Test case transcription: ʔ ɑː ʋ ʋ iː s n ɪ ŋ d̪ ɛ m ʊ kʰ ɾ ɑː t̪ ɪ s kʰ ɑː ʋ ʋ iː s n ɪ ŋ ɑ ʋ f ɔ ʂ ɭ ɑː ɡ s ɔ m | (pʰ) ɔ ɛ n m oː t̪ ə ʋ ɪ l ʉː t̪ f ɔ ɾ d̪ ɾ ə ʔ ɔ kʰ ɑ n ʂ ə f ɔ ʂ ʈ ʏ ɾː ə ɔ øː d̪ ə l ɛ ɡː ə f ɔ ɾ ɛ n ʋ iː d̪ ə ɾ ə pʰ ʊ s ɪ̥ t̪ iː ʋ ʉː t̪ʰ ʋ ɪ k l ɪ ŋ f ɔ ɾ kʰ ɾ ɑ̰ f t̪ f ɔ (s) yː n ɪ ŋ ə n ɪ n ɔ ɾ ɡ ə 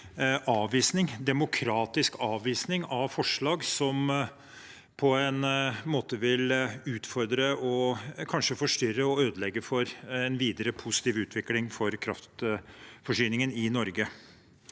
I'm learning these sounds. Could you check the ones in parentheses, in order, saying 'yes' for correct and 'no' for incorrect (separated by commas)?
yes, no